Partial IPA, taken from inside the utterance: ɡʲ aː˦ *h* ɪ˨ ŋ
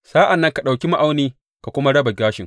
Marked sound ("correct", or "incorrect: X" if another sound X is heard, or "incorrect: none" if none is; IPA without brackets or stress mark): incorrect: ʃ